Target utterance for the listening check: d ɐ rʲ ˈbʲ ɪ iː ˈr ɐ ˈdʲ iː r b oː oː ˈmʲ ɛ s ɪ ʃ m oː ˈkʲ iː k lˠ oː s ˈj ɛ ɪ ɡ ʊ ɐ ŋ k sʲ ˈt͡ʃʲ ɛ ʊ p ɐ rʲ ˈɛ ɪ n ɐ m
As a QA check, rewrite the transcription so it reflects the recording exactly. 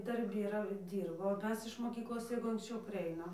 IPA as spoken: d ɐ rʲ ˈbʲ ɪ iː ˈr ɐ ˈdʲ iː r b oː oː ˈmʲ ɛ s ɪ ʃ m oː ˈkʲ iː k lˠ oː s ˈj ɛ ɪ ɡ ʊ ɐ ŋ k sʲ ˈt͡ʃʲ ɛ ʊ p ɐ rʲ ˈɛ ɪ n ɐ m